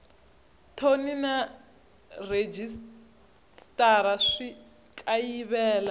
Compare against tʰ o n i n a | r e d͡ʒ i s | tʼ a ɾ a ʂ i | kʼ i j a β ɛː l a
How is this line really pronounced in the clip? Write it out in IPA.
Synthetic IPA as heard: tʰ o n i n a | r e d͡ʒ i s | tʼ a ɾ a ʂ i | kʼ a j i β ɛː l a